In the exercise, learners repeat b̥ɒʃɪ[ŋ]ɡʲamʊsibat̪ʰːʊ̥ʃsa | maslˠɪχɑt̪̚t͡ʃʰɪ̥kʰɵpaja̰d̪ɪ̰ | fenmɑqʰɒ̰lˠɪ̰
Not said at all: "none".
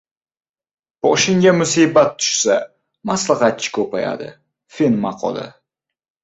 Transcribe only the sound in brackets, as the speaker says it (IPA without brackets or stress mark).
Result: ŋ